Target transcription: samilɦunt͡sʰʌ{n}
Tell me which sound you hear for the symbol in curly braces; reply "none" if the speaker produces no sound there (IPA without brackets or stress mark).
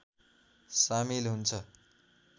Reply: none